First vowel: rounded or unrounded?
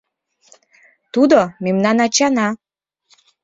rounded